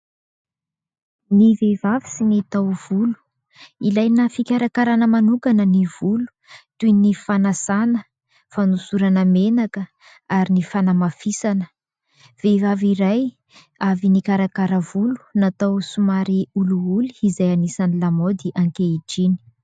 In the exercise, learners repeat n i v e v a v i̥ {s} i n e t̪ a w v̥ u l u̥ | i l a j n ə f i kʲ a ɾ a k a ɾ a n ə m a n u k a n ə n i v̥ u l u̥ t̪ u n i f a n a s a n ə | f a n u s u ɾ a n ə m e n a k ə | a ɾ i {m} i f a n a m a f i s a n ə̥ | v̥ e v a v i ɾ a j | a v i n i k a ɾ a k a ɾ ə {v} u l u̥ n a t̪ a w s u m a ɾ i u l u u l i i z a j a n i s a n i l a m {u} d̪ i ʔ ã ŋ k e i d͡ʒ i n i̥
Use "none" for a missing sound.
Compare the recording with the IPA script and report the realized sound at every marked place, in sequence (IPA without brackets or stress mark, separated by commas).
s, n, v, o